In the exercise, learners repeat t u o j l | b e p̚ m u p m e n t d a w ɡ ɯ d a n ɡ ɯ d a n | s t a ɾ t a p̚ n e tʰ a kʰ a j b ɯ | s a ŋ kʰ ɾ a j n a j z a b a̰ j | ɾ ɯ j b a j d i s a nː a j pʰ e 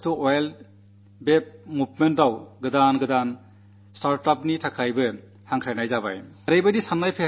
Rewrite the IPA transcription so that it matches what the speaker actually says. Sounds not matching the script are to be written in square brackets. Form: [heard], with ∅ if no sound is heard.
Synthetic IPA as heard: t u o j l | b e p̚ m u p m e n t d a w ɡ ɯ d a n ɡ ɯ d a n | s t a ɾ t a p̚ n [i] tʰ a kʰ a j b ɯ | [h] a ŋ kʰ ɾ a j n a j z a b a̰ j | ɾ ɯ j b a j d i s a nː a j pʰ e

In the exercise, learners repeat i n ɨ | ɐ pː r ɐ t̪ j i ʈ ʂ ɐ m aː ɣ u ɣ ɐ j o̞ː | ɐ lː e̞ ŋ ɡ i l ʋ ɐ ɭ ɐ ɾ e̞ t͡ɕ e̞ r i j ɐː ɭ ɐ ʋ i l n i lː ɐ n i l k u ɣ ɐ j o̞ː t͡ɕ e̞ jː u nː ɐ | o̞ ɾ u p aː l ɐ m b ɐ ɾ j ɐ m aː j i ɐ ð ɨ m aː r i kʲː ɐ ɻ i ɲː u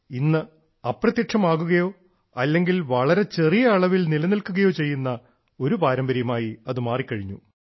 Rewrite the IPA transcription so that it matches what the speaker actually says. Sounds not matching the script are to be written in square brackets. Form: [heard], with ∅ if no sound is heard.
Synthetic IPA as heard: i [nː] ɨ | ɐ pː r ɐ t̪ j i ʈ ʂ ɐ m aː ɣ u ɣ ɐ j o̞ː | ɐ lː e̞ ŋ ɡ i l ʋ ɐ ɭ ɐ ɾ e̞ t͡ɕ e̞ r i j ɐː ɭ ɐ ʋ i l n i [l] ɐ n i l k u ɣ ɐ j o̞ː t͡ɕ e̞ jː u nː ɐ | o̞ ɾ u p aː [ɾ] ɐ m b ɐ ɾ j ɐ m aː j i ɐ ð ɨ m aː r i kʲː ɐ ɻ i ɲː u

